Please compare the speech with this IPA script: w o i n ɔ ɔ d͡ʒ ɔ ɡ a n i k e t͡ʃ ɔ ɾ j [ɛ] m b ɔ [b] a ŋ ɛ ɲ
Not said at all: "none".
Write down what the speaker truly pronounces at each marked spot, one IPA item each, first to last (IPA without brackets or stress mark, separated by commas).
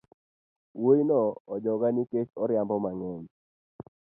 a, m